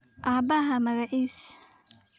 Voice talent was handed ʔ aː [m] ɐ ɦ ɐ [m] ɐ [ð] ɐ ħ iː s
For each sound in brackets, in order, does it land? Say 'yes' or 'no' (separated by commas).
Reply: no, yes, no